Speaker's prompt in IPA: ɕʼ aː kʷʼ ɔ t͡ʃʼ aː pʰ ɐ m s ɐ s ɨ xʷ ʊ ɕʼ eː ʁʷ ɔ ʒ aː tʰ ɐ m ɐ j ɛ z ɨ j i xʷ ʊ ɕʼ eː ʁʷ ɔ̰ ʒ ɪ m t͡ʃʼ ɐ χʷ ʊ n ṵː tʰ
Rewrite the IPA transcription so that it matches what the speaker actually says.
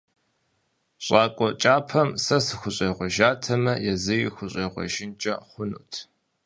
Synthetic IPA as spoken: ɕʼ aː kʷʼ ɔ t͡ʃʼ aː pʰ ɐ m s ɐ s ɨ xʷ ʊ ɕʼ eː ʁʷ ɔ ʒ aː tʰ ɐ m ɐ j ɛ z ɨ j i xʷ ʊ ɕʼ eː ʁʷ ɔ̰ ʒ ɪ n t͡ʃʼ ɐ χʷ ʊ n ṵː tʰ